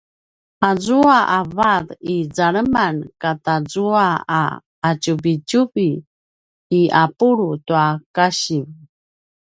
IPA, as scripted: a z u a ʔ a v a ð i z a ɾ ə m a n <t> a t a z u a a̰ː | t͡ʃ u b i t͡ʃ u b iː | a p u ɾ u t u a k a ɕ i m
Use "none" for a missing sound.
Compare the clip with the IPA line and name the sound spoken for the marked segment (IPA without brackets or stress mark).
k